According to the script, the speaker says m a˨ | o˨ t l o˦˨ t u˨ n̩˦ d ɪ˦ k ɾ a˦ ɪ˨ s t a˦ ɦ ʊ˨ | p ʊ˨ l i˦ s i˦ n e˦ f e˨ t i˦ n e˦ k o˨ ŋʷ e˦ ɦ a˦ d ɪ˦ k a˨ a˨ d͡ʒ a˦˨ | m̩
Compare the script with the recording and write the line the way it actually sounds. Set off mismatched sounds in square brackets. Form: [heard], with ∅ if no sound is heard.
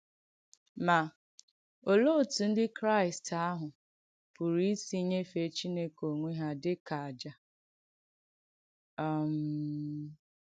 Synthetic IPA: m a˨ | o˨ [∅] l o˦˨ t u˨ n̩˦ d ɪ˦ k ɾ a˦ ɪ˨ s t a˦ ɦ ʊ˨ | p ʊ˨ [ɾ] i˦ s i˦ [ɲ] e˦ f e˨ [t͡ʃ] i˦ n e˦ k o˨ ŋʷ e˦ ɦ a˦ d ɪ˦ k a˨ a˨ d͡ʒ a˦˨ | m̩